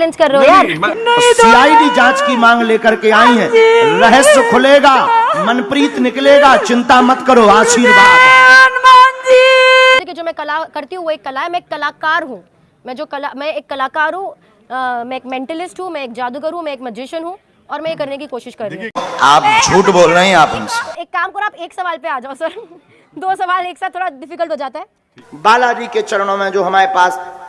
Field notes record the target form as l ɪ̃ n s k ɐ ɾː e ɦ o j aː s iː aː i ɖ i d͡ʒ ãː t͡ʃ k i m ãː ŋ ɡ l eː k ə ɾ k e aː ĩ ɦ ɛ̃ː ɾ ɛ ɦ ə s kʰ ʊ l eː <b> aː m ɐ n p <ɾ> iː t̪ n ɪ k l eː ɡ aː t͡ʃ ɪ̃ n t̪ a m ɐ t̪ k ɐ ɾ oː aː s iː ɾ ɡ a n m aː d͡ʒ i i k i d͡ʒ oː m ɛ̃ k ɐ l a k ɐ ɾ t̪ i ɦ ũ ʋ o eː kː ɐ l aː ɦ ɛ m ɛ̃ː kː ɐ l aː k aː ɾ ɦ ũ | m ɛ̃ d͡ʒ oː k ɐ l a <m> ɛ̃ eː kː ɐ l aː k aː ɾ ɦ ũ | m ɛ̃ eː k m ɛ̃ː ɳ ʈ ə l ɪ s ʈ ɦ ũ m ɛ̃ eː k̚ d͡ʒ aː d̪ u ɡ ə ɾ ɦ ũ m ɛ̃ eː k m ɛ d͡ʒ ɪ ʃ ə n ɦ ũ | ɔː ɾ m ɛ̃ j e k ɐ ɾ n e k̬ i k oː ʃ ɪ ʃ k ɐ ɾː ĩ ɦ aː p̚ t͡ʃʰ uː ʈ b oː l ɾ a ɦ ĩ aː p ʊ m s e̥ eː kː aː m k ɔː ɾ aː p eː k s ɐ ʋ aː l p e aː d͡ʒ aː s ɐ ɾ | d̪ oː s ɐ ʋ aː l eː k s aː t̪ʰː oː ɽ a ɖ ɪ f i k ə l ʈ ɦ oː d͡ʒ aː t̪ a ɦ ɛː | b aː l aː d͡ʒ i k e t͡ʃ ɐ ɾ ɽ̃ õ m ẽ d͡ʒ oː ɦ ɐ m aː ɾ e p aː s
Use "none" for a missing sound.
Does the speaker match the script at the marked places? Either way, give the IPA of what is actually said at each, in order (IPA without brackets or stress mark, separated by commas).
ɡ, ɾ, m